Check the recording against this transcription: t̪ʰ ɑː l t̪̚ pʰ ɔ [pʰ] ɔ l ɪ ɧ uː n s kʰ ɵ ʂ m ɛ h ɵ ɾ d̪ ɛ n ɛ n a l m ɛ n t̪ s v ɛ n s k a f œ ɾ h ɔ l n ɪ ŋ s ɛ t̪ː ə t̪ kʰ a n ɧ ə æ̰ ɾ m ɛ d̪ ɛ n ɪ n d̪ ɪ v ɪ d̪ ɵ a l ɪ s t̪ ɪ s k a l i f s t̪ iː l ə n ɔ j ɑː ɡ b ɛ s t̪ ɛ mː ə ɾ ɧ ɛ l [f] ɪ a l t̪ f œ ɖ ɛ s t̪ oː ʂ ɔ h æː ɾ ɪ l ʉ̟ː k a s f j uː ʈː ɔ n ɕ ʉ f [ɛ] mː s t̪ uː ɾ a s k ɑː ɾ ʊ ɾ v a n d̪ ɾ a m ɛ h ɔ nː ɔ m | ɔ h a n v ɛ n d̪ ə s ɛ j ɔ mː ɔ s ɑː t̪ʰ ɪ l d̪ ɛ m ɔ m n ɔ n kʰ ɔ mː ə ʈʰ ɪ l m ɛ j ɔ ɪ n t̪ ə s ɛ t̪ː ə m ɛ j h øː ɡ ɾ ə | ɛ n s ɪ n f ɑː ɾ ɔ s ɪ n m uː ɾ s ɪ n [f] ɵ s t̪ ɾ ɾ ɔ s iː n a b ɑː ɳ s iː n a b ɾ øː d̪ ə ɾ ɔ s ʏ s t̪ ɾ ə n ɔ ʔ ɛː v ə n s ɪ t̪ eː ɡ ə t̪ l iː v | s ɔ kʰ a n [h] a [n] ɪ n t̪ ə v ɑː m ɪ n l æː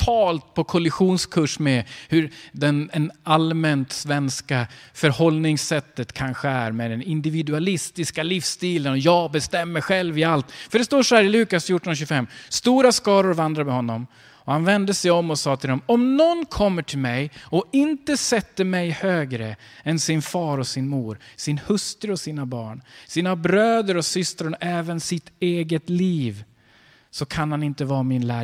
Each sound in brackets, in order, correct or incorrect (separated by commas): incorrect, incorrect, correct, incorrect, correct, correct